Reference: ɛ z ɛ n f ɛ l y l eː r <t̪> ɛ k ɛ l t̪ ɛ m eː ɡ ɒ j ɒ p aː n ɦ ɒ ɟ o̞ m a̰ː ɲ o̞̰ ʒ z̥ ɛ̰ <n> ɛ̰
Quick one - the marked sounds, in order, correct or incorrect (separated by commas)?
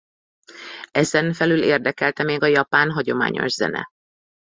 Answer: incorrect, correct